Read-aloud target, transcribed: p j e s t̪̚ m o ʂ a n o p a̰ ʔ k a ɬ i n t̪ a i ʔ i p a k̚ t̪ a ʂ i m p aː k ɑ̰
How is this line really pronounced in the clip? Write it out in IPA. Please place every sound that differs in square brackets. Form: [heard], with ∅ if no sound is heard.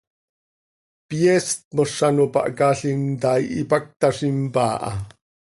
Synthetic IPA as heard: p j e s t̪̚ m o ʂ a n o p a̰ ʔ k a ɬ i n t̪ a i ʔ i p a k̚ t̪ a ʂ i m p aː [ʔ] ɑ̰